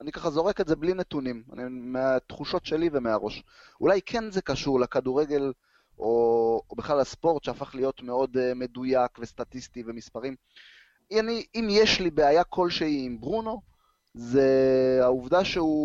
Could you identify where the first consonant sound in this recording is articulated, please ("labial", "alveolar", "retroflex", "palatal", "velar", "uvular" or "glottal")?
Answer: alveolar